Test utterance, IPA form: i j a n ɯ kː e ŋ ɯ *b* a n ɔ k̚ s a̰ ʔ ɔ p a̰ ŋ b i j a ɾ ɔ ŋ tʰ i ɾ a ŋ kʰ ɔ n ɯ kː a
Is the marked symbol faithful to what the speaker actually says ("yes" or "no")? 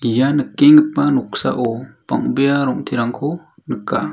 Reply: no